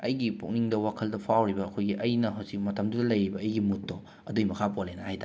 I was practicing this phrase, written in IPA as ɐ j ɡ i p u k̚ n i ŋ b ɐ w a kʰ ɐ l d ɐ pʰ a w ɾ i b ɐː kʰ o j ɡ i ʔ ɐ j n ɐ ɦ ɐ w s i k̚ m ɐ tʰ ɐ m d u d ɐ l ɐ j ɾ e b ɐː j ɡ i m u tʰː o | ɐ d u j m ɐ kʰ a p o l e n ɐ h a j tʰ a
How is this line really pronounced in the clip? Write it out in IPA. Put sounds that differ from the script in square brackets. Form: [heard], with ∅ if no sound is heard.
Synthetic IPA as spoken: ɐ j ɡ i p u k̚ n i ŋ [d] ɐ w a kʰ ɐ l d ɐ pʰ a w ɾ i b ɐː kʰ o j ɡ i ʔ ɐ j n ɐ ɦ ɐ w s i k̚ m ɐ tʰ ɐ m d u d ɐ l ɐ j ɾ [i] b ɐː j ɡ i m u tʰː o | ɐ d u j m ɐ kʰ a p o l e n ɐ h a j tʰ a